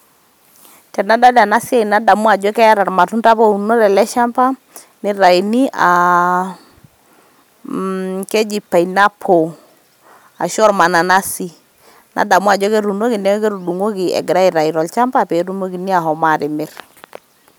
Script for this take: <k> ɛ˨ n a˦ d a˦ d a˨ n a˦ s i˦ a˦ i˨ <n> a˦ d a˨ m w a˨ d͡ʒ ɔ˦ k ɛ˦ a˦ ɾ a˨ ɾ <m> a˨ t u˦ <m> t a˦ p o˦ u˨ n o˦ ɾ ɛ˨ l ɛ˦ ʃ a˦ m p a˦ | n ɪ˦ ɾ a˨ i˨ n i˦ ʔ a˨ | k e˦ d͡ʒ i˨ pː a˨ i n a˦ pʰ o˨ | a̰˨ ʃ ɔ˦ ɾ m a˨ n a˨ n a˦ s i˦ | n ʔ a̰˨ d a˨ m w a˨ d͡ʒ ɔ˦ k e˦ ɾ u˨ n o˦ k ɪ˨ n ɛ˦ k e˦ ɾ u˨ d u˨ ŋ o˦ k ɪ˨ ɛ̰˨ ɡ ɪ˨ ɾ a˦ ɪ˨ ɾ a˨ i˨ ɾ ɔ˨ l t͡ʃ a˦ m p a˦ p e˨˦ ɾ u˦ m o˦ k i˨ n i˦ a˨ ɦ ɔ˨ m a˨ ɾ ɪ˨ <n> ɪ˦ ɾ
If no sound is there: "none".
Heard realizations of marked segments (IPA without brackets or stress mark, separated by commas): t, n, m, n, m